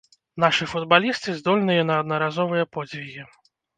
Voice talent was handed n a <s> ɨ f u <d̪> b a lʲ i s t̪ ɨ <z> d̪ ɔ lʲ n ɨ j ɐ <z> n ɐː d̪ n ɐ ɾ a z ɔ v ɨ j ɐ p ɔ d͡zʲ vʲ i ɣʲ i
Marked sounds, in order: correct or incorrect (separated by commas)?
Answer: incorrect, correct, correct, incorrect